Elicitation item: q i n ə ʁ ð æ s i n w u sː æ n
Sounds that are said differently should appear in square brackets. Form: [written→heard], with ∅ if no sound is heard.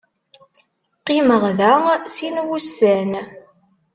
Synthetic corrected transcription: q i [n→m] ə ʁ ð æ s i n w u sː æ n